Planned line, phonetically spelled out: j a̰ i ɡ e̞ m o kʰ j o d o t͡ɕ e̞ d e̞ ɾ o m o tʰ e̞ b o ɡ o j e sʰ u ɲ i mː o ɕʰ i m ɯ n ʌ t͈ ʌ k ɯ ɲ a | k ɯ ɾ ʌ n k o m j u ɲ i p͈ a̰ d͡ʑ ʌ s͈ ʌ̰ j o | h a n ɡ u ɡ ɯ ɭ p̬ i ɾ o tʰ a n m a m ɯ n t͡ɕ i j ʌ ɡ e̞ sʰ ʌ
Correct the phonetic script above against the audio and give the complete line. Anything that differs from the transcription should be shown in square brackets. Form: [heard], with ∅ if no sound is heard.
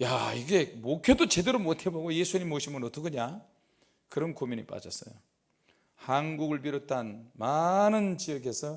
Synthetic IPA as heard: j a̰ i ɡ e̞ m o kʰ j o d o t͡ɕ e̞ d e̞ ɾ o m o tʰ e̞ b o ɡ o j e sʰ u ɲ i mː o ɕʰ i m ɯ n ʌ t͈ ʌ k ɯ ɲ a | k ɯ ɾ ʌ n k o m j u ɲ i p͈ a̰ d͡ʑ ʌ s͈ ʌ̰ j o | h a n ɡ u ɡ ɯ ɭ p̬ i ɾ o tʰ a n m a [n] ɯ n t͡ɕ i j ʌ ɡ e̞ sʰ ʌ